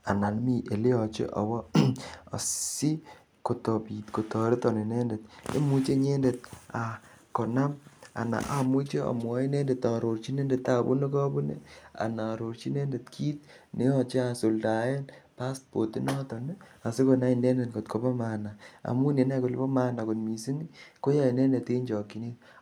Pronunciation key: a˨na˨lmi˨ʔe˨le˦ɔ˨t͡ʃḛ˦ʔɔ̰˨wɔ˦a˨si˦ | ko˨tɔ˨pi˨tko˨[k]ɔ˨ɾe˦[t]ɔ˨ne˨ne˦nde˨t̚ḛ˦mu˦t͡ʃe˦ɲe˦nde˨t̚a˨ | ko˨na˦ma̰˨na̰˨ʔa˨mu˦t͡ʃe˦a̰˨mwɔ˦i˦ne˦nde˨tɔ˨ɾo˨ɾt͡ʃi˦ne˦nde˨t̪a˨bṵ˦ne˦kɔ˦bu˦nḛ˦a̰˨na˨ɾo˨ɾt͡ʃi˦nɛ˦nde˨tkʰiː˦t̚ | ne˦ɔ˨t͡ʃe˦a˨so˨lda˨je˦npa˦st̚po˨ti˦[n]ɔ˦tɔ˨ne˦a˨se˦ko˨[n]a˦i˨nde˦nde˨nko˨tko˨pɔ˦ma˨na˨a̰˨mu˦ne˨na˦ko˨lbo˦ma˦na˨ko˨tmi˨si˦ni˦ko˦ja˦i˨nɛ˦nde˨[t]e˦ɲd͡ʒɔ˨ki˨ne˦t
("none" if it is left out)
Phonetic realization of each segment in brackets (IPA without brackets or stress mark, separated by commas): t, t, n, n, t